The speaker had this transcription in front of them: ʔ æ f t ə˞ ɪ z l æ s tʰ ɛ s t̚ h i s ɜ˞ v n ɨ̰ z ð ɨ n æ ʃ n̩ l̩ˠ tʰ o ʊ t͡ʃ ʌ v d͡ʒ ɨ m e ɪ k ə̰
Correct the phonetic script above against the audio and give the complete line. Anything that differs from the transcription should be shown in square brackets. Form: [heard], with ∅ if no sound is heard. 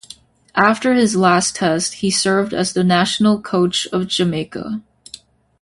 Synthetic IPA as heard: ʔ æ f t ə˞ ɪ z l æ s tʰ ɛ s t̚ h i s ɜ˞ v [d] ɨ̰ z ð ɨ n æ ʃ n̩ l̩ˠ [kʰ] o ʊ t͡ʃ ʌ v d͡ʒ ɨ m e ɪ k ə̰